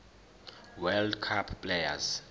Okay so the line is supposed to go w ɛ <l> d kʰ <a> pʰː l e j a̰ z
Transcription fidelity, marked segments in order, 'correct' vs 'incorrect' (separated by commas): correct, correct